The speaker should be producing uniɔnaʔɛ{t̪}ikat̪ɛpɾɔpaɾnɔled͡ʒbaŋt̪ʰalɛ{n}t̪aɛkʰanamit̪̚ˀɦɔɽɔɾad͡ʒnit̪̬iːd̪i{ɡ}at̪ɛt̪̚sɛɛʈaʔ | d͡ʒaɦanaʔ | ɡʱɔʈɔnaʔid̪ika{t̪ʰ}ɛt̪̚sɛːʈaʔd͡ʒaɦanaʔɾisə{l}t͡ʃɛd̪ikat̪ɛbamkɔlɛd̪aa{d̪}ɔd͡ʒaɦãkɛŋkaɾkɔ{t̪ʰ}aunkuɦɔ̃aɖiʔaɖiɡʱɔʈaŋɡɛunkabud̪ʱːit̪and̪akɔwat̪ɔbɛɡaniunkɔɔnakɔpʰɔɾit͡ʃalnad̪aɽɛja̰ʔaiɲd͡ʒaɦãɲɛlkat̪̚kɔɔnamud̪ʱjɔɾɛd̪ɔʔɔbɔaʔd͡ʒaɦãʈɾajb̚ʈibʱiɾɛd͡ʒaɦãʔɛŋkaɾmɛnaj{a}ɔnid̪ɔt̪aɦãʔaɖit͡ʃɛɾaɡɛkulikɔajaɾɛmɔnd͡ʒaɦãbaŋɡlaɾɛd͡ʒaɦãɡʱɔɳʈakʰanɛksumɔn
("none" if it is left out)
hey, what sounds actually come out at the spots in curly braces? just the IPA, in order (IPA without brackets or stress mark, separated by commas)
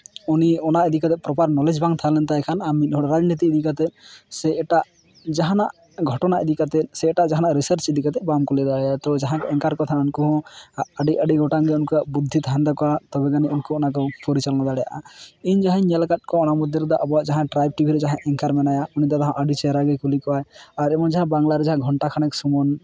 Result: d̪, n, k, t̪, ɾ, t̪, t̪ʰ, a